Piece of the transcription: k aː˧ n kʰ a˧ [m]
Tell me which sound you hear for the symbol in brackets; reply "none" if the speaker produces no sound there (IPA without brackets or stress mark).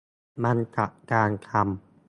m